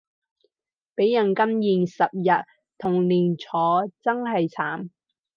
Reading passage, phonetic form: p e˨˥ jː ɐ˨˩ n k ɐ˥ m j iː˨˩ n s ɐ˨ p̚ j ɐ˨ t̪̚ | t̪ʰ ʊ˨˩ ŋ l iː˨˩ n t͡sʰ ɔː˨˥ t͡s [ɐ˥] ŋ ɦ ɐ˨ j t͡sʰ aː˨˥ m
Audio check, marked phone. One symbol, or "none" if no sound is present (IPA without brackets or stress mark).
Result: ɐ˥